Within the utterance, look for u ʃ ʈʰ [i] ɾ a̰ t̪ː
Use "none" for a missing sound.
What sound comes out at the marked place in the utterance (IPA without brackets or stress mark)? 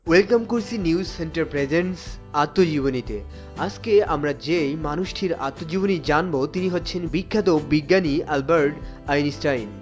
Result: i